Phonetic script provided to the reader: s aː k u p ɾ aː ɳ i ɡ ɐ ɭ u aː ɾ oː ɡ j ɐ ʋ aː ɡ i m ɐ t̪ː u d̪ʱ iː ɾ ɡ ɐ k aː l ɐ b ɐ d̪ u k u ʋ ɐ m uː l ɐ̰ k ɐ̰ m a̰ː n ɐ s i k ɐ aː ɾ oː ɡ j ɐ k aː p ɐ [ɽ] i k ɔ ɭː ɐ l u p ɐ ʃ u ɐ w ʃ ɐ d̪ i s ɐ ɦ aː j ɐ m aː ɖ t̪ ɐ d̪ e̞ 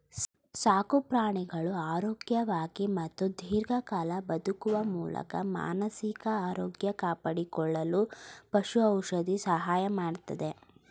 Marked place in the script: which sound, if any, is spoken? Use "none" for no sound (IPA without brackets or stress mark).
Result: ɽ